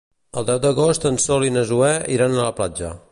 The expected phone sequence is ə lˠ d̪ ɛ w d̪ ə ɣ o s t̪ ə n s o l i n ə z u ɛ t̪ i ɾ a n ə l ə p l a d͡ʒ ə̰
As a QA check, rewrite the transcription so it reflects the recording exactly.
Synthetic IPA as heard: ə lˠ d̪ ɛ w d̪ ə ɣ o s t̪ ə n s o l i n ə z u ɛ i ɾ a n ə l ə p l a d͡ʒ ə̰